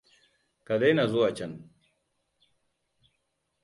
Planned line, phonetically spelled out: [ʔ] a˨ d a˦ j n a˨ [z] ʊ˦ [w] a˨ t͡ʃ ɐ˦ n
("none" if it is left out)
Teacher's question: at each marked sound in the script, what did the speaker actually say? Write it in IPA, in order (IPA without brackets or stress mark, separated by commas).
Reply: k, z, w